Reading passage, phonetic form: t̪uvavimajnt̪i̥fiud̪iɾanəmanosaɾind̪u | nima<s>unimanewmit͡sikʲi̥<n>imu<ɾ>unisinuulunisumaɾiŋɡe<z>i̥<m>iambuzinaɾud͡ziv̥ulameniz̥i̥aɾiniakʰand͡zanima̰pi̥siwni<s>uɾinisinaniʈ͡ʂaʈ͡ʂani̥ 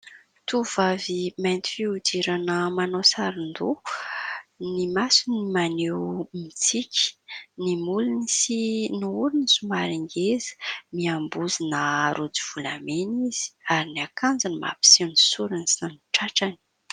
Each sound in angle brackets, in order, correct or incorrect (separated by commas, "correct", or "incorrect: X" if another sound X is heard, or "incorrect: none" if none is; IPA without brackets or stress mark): correct, correct, incorrect: l, correct, correct, correct